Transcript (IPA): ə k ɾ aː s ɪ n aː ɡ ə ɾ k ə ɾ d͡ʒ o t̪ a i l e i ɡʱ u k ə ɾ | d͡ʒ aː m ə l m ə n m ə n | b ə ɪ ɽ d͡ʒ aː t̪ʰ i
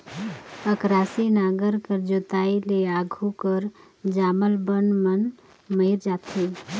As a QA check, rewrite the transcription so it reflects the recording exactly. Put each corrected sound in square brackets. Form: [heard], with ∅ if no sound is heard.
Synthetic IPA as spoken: ə k ɾ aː s [i] n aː ɡ ə ɾ k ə ɾ d͡ʒ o t̪ a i l e [a] ɡʱ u k ə ɾ | d͡ʒ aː m ə l [b] ə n m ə n | [m] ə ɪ [ɾ] d͡ʒ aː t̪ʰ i

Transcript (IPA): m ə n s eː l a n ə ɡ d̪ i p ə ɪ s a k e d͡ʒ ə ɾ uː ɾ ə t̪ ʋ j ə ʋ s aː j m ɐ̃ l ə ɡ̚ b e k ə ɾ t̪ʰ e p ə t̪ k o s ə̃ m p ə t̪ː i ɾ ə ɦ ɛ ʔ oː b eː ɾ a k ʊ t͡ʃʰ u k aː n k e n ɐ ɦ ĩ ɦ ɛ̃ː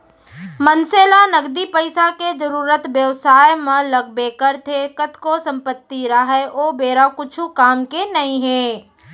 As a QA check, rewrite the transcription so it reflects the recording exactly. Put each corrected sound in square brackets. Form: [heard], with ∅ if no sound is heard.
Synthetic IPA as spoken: m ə n s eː l a n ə ɡ d̪ i p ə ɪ s a k e d͡ʒ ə ɾ uː ɾ ə t̪ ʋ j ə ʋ s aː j m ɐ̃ l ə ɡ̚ b e k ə ɾ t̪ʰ e [k] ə t̪ k o s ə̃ m p ə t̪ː i ɾ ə ɦ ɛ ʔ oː b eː ɾ a k ʊ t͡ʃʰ u k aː [m] k e n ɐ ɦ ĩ ɦ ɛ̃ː

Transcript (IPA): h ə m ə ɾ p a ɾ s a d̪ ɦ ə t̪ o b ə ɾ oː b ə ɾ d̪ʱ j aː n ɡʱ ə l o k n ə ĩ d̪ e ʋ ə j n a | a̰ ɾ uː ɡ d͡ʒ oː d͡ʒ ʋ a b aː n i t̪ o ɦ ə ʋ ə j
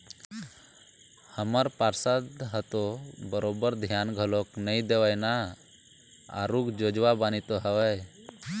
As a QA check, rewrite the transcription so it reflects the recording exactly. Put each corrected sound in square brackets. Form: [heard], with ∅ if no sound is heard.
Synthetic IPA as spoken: h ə m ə ɾ p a ɾ s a d̪ ɦ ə t̪ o b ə ɾ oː b ə ɾ d̪ʱ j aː n ɡʱ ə l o k n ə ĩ d̪ e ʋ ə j n a | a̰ ɾ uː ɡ d͡ʒ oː d͡ʒ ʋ a b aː n i t̪ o ɦ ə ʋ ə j

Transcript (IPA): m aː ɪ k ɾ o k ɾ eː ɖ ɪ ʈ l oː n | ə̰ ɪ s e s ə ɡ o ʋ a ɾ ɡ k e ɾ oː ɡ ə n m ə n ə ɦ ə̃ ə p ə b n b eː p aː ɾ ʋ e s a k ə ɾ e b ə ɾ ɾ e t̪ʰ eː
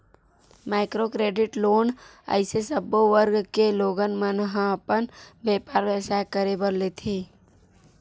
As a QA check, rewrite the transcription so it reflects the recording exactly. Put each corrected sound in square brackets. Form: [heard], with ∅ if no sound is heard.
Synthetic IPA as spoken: m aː ɪ k ɾ o k ɾ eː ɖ ɪ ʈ l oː n | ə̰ ɪ s e s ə [b] o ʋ [ə] ɾ ɡ k e [l] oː ɡ ə n m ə n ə ɦ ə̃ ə p ə [∅] n b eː p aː ɾ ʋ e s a k ə ɾ e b ə ɾ [l] e t̪ʰ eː

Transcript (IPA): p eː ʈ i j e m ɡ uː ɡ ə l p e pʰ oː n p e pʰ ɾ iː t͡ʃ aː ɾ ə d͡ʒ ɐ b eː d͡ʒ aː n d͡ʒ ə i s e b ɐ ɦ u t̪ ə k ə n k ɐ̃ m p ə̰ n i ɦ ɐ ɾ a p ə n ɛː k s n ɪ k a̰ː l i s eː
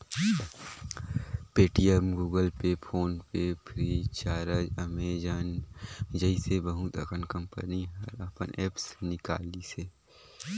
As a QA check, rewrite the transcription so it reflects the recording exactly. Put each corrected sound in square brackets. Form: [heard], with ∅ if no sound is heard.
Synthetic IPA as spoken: p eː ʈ i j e m ɡ uː ɡ ə l p e pʰ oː n p e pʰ ɾ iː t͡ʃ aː ɾ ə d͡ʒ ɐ [m] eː d͡ʒ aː n d͡ʒ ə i s e b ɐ ɦ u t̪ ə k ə n k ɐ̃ m p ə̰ n i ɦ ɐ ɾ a p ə n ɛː [p] s n ɪ k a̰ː l i s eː

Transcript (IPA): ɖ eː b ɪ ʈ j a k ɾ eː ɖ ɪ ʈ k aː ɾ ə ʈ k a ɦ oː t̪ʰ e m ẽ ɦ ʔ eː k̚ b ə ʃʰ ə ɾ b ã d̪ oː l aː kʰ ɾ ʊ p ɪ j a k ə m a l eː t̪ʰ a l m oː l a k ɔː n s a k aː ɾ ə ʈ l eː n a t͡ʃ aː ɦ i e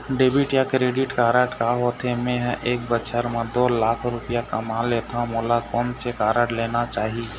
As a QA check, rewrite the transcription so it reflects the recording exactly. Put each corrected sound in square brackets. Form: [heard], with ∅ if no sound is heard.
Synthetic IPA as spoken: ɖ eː b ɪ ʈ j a k ɾ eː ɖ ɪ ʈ k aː ɾ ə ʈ k a ɦ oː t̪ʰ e m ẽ ɦ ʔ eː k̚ b ə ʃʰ ə ɾ [m] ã d̪ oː l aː kʰ ɾ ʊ p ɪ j a k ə m a l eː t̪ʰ a [∅] m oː l a k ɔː n s [e] k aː ɾ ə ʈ l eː n a t͡ʃ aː ɦ i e

